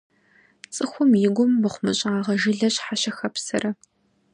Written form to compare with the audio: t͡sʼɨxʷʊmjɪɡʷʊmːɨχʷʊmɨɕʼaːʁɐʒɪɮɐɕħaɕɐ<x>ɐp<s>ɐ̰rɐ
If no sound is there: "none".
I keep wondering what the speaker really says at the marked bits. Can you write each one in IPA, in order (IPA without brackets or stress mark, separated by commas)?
x, s